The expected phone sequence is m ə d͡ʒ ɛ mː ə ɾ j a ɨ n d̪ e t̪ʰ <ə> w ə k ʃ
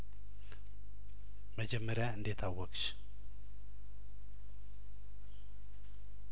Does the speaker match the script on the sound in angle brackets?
no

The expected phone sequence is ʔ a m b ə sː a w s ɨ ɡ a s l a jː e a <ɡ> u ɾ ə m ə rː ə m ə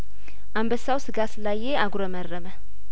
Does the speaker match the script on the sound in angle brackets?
yes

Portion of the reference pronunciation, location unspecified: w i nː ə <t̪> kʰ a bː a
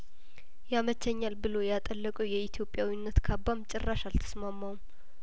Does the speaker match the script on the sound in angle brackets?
yes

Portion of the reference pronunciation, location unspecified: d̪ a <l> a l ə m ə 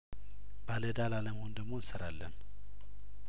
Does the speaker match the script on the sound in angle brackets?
yes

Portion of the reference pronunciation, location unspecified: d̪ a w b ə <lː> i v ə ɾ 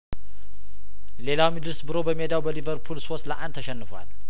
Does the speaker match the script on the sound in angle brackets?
no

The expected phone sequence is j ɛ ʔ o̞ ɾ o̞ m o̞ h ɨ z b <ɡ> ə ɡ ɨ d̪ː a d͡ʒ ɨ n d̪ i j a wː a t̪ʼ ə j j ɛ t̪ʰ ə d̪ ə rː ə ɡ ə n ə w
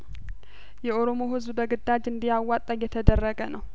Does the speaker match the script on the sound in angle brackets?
no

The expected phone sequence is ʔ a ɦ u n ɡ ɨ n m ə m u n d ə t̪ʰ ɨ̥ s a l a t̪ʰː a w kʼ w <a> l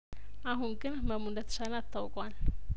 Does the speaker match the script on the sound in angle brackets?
yes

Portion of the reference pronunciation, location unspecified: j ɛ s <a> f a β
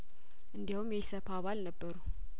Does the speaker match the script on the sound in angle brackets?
no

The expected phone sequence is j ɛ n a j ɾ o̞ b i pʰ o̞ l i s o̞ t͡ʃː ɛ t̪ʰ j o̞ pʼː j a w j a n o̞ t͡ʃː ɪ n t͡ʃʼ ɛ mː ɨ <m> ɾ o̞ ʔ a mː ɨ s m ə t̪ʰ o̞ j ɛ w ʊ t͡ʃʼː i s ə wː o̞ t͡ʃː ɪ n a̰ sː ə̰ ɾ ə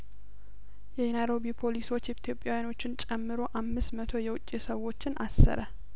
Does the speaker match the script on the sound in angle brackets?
no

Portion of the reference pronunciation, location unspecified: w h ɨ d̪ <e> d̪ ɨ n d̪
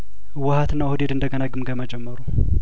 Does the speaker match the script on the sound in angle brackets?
yes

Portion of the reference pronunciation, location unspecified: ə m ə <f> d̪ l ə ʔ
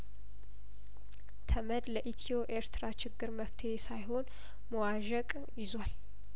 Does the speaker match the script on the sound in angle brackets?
no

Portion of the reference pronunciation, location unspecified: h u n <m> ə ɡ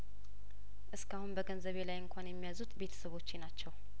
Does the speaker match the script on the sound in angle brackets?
no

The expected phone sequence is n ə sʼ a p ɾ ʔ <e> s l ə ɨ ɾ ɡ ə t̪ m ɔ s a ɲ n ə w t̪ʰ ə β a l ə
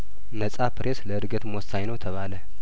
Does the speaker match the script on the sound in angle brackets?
yes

